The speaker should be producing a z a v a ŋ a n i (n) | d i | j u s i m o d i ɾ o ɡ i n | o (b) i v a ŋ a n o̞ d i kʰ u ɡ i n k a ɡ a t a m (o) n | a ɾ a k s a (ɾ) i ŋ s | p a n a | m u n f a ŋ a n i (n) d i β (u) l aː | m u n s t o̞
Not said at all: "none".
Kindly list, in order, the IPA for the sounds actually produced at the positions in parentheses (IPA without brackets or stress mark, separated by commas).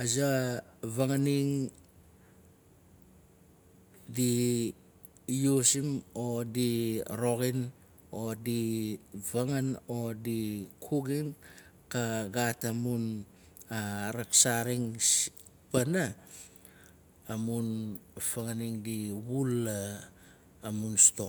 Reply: ŋ, d, u, ɾ, ŋ, u